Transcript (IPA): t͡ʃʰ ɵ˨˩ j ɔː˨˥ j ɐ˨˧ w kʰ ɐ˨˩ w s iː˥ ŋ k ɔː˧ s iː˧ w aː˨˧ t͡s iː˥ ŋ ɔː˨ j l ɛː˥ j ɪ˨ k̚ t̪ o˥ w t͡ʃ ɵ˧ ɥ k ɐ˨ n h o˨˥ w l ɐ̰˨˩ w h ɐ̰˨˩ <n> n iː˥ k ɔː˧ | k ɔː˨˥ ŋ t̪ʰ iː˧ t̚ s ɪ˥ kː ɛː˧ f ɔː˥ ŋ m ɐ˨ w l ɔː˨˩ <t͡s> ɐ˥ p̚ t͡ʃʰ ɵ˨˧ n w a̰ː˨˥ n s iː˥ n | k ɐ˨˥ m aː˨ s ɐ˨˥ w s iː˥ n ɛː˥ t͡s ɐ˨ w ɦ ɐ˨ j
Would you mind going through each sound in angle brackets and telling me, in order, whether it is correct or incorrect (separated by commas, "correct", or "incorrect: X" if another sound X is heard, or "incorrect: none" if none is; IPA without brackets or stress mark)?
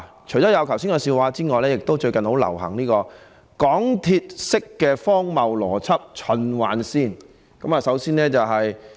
incorrect: ŋ, incorrect: t͡sʰ